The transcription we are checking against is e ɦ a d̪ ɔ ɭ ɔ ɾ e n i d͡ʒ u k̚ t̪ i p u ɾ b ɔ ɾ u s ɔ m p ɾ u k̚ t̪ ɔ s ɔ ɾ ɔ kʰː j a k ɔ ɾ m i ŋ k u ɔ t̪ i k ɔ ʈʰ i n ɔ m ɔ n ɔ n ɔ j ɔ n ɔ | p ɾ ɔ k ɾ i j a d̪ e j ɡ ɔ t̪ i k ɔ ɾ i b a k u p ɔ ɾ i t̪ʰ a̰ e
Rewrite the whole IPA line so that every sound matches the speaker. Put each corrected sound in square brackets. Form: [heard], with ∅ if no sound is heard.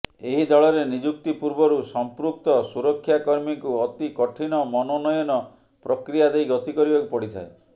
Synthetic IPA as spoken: e ɦ [i] d̪ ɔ ɭ ɔ ɾ e n i d͡ʒ u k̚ t̪ i p u ɾ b ɔ ɾ u s ɔ m p ɾ u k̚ t̪ ɔ s [u] ɾ ɔ kʰː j a k ɔ ɾ m i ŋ k u ɔ t̪ i k ɔ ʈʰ i n ɔ m ɔ n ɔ n ɔ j ɔ n ɔ | p ɾ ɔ k ɾ i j a d̪ e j ɡ ɔ t̪ i k ɔ ɾ i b a k u p ɔ [ɽ] i t̪ʰ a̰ e